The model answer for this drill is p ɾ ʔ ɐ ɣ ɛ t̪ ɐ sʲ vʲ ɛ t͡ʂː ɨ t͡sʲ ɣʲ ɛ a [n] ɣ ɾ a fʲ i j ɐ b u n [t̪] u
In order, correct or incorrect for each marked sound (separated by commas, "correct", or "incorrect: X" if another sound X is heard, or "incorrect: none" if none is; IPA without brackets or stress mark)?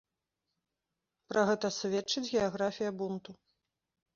incorrect: none, correct